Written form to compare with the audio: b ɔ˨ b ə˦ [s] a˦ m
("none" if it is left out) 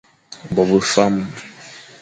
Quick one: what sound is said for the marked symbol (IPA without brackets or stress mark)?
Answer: f